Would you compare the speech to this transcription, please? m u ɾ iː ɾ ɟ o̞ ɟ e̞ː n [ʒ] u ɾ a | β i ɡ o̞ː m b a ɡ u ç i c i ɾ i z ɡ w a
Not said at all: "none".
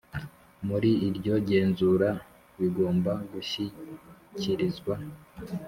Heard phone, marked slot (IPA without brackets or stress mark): z